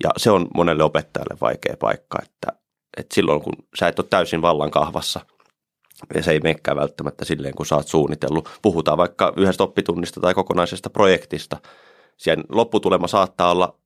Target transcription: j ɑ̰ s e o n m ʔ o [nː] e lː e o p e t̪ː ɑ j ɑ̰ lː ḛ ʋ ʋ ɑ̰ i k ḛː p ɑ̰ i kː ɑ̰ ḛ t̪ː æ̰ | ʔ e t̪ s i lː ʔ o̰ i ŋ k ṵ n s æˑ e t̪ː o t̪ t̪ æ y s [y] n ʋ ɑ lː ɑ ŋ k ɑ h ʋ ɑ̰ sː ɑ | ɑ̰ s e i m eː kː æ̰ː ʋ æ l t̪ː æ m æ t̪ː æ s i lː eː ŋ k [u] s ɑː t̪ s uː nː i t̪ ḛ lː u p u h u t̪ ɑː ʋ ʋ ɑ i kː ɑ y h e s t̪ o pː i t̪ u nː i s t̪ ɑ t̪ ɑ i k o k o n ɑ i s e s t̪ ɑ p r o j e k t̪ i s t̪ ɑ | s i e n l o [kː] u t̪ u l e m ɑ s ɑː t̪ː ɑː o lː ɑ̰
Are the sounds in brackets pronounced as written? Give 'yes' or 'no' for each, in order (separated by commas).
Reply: no, no, yes, no